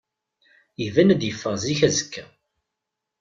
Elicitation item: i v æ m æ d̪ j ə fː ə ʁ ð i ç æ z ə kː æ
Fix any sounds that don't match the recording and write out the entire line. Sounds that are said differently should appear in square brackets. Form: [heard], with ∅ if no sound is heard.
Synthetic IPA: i v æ [n] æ d̪ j ə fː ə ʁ [z] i ç æ z ə kː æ